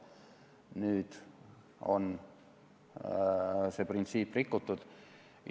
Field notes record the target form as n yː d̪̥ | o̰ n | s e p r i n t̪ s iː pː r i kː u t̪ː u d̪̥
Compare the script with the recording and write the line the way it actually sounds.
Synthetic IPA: n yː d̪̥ | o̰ n | s e p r i n t̪ s iː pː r i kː u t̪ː u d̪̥